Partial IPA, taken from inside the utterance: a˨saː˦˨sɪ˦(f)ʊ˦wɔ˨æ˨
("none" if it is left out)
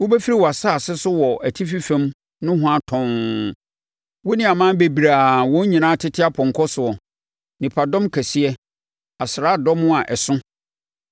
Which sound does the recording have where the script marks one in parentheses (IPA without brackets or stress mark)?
s